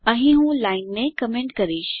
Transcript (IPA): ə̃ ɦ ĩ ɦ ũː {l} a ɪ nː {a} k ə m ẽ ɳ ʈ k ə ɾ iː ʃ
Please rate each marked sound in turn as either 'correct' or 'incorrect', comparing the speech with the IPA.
correct, incorrect: e

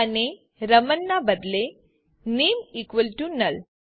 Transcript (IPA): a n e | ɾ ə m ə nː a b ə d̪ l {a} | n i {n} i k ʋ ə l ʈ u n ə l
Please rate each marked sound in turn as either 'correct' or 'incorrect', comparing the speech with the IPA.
incorrect: e, incorrect: m

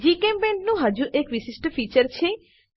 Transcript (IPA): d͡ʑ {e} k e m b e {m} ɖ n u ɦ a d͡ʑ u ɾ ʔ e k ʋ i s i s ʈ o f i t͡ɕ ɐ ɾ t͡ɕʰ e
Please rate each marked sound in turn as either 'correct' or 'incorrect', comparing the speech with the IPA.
incorrect: i, incorrect: ɳ

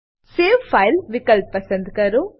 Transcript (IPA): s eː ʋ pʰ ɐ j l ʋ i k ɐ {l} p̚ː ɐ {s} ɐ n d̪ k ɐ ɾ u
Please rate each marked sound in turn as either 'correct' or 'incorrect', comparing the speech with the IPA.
correct, correct

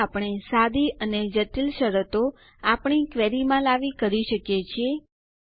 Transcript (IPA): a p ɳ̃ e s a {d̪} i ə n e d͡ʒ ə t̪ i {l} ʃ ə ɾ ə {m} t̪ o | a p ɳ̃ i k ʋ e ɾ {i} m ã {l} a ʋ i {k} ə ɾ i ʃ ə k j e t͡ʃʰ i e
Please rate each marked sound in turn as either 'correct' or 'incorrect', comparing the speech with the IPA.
correct, correct, incorrect: none, correct, correct, correct

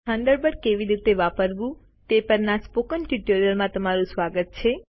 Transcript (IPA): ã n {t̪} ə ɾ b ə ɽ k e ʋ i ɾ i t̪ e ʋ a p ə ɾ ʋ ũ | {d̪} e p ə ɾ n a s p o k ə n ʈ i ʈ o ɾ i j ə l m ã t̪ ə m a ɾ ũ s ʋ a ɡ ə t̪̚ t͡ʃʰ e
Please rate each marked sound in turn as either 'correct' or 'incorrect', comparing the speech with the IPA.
incorrect: d̪, incorrect: t̪

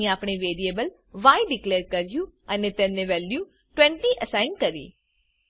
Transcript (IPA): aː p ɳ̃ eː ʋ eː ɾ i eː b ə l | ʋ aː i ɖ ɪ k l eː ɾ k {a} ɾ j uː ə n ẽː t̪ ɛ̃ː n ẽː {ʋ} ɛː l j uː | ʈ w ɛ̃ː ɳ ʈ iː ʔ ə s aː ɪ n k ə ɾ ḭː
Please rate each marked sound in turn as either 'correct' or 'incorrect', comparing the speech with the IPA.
incorrect: ə, correct

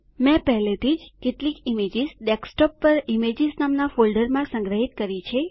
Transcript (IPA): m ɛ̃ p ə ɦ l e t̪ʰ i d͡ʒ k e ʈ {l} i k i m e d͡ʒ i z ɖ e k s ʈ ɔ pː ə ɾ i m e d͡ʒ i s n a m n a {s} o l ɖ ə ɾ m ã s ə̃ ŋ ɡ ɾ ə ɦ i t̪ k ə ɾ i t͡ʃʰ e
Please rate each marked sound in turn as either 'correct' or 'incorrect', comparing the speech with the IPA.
correct, incorrect: f

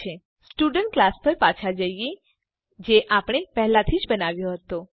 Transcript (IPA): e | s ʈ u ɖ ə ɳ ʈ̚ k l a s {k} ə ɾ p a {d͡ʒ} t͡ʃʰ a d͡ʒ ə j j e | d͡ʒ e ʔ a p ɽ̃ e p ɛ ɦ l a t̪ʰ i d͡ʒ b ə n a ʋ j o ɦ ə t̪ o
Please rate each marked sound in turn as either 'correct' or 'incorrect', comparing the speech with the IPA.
incorrect: p, incorrect: none

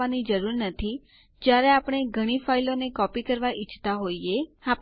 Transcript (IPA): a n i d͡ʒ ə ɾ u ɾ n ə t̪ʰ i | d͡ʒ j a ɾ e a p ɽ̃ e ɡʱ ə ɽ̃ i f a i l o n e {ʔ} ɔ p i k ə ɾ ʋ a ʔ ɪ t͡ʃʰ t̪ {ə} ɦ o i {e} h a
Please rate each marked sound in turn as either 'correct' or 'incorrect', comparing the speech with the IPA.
incorrect: k, incorrect: a, correct

